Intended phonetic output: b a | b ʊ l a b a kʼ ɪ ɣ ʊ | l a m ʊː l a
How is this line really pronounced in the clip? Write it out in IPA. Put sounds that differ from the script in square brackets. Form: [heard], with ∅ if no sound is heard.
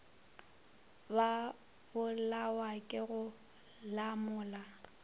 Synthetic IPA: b a | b ʊ l a [w] a kʼ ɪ ɣ ʊ | l a m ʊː l a